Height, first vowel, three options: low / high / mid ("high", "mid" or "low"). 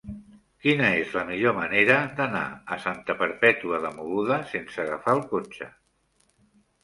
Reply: high